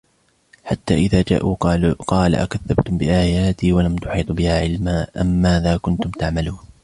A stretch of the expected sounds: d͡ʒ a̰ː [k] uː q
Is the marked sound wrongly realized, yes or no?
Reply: yes